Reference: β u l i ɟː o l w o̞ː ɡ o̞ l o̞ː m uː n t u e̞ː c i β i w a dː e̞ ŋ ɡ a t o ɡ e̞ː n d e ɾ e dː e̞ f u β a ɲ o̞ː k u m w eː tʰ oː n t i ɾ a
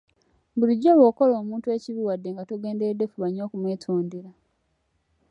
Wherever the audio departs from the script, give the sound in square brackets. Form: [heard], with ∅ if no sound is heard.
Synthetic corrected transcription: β u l i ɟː o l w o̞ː [k] o̞ l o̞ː m uː n t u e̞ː c i β i w a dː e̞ ŋ ɡ a t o ɡ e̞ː n d e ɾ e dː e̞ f u β a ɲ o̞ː k u m w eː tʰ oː n [d] i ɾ a